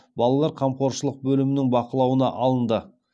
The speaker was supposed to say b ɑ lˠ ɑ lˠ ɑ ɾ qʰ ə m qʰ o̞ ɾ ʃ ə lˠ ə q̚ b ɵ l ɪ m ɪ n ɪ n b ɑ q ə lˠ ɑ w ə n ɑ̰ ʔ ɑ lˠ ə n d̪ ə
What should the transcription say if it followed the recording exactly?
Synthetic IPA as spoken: b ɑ lˠ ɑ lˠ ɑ ɾ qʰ ɑ m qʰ o̞ ɾ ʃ ə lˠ ə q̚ b ɵ l ɪ m ɪ n ɪ ŋ b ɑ q ə lˠ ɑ w ə n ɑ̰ ʔ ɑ lˠ ə n d̪ ə